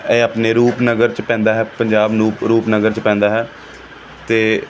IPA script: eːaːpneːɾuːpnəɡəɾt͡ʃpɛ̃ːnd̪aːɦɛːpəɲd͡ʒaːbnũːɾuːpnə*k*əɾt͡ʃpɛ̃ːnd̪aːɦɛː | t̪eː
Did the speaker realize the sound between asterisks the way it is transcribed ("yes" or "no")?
no